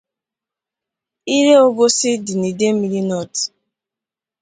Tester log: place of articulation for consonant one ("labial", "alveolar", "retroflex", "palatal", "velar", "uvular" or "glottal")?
alveolar